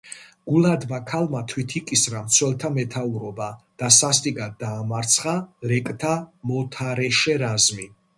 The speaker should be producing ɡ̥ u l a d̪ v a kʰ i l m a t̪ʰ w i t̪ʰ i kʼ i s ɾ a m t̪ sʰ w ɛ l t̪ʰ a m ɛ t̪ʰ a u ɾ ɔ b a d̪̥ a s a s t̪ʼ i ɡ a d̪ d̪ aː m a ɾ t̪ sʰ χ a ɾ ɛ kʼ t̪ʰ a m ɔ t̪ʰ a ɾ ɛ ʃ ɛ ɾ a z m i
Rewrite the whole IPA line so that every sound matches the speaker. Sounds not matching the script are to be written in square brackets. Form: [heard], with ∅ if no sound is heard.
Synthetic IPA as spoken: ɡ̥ u l a d̪ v a kʰ [a] l m a t̪ʰ w i t̪ʰ i kʼ i s ɾ a m t̪ sʰ w ɛ l t̪ʰ a m ɛ t̪ʰ a u ɾ ɔ b a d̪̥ a s a s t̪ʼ i ɡ a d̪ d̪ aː m a ɾ t̪ sʰ χ a ɾ ɛ kʼ t̪ʰ a m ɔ t̪ʰ a ɾ ɛ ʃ ɛ ɾ a z m i